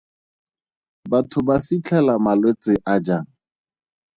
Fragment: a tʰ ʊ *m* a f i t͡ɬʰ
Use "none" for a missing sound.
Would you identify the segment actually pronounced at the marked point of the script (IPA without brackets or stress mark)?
b